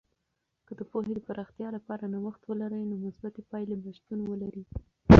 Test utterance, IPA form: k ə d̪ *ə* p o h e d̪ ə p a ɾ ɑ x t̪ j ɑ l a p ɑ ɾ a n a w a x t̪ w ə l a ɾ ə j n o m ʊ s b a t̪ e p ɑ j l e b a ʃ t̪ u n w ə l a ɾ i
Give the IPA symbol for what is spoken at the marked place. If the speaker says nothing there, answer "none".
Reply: ə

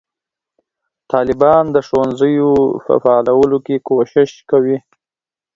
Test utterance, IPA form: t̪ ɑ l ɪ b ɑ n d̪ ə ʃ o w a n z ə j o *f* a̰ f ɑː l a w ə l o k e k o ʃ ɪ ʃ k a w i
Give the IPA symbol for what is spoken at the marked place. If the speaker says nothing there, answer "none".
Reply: f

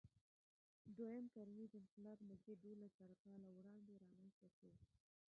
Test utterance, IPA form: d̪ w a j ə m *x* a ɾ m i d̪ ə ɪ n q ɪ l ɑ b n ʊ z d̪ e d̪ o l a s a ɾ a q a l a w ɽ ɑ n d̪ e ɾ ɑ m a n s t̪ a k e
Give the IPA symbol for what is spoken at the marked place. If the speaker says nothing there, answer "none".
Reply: k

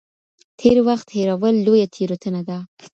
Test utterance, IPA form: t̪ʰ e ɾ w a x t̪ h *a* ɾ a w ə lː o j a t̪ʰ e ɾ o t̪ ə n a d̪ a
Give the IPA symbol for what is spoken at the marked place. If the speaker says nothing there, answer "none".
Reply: e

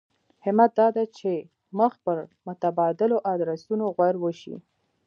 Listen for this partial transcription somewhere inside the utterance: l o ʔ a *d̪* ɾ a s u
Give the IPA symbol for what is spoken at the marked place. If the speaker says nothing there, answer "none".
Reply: d̪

